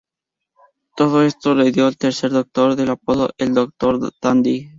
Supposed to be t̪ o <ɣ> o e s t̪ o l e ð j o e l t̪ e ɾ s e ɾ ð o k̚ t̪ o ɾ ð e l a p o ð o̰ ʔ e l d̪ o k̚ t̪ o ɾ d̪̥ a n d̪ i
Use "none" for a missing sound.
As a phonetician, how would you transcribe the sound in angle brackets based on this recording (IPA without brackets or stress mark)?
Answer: ð